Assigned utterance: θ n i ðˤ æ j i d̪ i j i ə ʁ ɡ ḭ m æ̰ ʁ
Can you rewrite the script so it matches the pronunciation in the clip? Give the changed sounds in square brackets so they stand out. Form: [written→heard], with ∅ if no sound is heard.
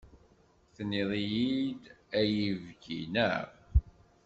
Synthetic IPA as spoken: θ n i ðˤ [æ→i] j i d̪ [i→æ] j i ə [ʁ→v] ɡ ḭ [m→n] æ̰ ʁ